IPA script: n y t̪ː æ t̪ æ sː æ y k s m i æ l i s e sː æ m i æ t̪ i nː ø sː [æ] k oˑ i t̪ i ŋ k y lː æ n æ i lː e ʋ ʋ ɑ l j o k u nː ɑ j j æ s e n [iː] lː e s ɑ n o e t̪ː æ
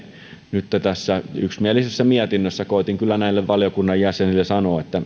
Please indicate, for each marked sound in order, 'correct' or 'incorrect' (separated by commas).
correct, incorrect